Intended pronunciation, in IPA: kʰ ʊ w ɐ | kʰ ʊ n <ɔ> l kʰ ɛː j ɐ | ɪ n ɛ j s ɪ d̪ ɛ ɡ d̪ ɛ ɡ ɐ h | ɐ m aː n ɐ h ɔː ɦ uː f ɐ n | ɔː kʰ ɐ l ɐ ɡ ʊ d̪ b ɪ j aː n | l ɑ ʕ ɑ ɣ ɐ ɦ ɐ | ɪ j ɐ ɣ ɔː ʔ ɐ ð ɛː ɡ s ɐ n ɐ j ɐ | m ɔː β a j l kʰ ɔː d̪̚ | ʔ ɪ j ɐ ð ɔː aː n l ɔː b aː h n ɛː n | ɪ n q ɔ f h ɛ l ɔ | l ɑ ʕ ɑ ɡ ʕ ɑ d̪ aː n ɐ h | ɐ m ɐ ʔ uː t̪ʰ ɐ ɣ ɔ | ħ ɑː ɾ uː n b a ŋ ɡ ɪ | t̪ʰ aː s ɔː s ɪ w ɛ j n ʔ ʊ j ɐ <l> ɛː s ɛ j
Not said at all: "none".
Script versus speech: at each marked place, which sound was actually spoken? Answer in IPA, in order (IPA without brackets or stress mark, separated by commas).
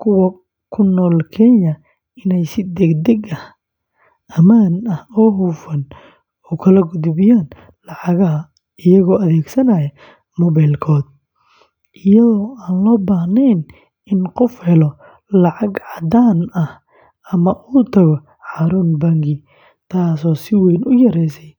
ɔː, ɾ